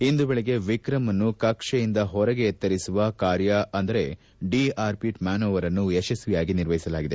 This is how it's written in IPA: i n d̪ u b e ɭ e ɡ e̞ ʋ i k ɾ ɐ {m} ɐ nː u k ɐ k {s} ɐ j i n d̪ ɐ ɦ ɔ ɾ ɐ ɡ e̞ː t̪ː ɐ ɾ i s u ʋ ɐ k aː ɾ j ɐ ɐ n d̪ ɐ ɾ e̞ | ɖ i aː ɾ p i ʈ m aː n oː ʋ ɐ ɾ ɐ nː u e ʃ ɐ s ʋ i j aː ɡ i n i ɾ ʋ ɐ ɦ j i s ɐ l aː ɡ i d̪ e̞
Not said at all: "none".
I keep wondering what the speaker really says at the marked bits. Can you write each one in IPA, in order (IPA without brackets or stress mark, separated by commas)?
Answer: m, ʂ